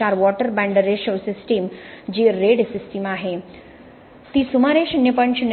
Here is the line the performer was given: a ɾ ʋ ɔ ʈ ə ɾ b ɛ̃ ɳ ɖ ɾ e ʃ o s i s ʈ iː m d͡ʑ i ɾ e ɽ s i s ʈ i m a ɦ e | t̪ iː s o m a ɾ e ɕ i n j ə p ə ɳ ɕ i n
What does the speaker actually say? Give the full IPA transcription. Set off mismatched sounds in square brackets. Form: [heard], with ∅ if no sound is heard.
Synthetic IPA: a ɾ ʋ ɔ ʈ ə ɾ b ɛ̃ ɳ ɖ ɾ e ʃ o s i s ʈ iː m d͡ʑ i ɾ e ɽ s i s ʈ i m a ɦ e | t̪ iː s [u] m a ɾ e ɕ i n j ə p ə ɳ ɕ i n